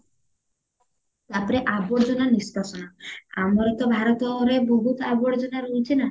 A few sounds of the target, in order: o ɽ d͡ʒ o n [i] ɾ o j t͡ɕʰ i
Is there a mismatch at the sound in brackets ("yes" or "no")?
yes